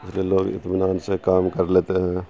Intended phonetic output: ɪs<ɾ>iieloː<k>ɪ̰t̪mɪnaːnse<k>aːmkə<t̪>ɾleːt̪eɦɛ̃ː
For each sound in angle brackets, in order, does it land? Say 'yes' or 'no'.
no, no, yes, no

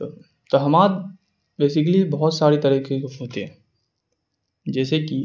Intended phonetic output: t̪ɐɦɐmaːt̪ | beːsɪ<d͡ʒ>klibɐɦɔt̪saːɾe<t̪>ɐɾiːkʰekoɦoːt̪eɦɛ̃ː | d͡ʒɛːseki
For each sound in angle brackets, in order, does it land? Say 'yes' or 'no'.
no, yes

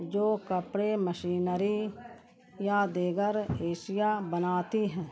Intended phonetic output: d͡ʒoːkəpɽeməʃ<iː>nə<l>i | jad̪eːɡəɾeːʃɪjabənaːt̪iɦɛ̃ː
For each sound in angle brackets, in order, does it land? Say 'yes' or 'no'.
yes, no

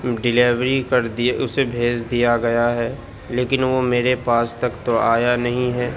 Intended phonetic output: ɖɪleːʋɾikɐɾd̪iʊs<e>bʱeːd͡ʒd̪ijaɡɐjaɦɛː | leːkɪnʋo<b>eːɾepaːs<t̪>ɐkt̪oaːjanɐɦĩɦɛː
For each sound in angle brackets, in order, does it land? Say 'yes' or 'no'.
yes, no, yes

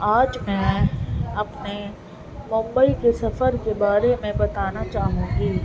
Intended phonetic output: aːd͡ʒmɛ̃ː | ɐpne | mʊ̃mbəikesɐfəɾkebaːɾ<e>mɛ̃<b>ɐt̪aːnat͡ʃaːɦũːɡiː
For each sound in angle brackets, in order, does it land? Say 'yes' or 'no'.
yes, yes

